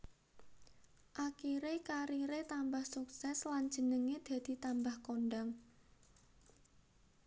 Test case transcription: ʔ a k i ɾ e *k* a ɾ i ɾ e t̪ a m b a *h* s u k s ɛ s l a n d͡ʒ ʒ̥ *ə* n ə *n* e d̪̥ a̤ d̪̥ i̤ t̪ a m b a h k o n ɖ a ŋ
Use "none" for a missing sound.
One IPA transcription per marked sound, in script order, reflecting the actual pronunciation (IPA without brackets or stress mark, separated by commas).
k, h, ə, ŋ